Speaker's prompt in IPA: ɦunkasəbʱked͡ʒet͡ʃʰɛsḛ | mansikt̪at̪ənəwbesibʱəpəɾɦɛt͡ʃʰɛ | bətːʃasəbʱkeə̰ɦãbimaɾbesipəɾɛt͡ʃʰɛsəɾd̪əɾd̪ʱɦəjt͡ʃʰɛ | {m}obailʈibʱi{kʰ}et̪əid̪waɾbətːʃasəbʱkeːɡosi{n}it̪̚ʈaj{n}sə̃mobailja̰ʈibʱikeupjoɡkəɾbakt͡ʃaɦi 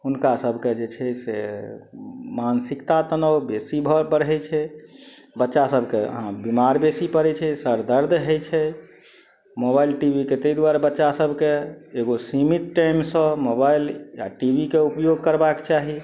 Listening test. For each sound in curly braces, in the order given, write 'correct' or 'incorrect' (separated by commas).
correct, incorrect, incorrect, incorrect